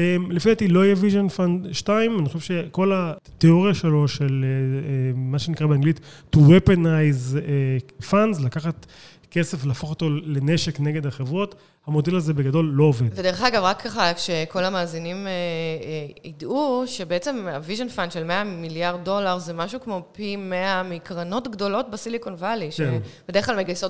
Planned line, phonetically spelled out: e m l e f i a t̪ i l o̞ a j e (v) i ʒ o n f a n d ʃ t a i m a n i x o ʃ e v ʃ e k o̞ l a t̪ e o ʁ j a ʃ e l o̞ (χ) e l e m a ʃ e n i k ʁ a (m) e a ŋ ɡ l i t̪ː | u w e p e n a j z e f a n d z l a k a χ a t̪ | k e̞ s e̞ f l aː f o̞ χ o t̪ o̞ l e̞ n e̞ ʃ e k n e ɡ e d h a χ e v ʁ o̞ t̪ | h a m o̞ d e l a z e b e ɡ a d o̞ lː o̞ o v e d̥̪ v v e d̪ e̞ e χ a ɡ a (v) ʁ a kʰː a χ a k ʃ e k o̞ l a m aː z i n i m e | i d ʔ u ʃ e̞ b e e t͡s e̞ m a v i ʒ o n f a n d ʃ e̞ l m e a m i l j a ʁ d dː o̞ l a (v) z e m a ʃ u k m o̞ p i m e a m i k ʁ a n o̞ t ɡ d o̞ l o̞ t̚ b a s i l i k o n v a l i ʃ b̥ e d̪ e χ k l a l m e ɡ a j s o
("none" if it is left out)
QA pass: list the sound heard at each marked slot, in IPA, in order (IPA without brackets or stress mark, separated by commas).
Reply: v, ʃ, b, v, ʁ